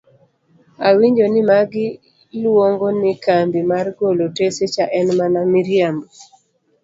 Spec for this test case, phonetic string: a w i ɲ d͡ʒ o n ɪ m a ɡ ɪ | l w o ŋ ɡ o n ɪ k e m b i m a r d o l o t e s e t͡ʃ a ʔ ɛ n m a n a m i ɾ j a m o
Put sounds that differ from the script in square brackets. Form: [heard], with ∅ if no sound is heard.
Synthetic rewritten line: a w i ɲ d͡ʒ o n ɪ m a ɡ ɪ | l w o ŋ ɡ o n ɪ k [a] m b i m a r [ɡ] o l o t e s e t͡ʃ a ʔ ɛ n m a n a m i ɾ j a m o